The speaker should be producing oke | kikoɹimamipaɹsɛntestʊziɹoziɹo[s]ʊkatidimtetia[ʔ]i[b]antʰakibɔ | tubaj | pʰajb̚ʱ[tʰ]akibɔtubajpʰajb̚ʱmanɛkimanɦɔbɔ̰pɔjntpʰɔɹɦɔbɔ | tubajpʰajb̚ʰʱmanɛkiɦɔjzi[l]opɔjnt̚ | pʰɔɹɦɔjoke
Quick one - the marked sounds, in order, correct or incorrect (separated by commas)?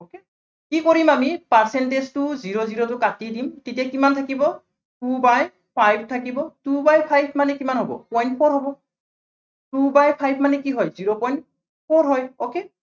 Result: incorrect, incorrect, incorrect, correct, incorrect